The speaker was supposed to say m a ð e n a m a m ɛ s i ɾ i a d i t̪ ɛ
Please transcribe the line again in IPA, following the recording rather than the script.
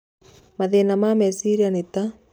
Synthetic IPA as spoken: m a ð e n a m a m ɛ s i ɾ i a n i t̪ a